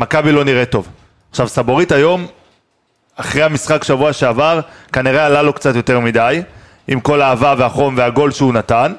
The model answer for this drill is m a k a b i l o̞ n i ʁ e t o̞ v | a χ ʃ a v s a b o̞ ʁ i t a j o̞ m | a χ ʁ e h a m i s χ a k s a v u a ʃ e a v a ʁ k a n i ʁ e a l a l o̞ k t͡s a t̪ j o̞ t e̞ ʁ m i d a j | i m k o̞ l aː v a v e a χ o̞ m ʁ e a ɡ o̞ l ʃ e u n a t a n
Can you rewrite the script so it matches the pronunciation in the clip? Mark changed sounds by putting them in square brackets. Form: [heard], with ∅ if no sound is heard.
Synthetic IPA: m a k a b i l o̞ n i ʁ e t o̞ v | a χ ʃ a v s a b o̞ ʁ i t a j o̞ m | a χ ʁ e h a m i s χ a k [ʃ] a v u a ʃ e a v a ʁ k a n i ʁ e a l a l o̞ k t͡s a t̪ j o̞ t e̞ ʁ m i d a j | i m k o̞ l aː v a v e a χ o̞ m [v] e a ɡ o̞ l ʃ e u n a t a n